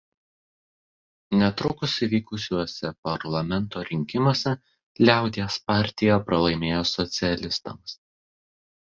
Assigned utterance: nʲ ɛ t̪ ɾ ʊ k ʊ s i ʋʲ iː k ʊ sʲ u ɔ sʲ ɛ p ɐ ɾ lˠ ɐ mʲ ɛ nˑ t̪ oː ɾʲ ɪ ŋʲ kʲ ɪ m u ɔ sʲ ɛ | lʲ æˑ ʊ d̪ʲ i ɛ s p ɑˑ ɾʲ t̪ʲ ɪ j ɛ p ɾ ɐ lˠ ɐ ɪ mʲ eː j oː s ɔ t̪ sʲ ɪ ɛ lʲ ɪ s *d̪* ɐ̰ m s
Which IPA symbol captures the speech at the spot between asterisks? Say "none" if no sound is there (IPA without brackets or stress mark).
t̪